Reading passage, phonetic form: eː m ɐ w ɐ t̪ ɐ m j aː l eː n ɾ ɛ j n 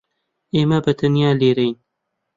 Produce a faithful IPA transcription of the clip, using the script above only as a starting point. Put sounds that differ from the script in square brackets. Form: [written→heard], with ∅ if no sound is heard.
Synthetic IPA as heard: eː m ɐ [w→b] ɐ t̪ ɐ [m→n] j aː l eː [n→∅] ɾ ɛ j n